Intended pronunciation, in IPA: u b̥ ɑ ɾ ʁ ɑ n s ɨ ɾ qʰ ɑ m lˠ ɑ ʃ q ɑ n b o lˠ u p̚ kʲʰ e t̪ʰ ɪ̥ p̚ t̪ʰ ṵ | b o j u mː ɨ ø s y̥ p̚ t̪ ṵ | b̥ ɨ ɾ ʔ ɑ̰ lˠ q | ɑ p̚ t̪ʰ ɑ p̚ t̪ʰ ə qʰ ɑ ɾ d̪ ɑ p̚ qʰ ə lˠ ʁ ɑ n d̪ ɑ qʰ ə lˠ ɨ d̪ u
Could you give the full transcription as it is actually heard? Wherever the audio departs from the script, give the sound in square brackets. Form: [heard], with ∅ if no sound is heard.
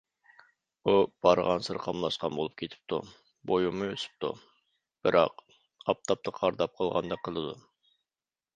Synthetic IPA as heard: u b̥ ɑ ɾ ʁ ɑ n s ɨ ɾ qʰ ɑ m lˠ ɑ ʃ q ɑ n b o lˠ u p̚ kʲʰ e t̪ʰ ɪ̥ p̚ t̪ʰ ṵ | b o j u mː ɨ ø s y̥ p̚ t̪ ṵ | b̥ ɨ ɾ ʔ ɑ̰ [∅] q | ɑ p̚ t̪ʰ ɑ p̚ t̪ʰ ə qʰ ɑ ɾ d̪ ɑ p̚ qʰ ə lˠ ʁ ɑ n d̪ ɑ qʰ ə lˠ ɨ d̪ u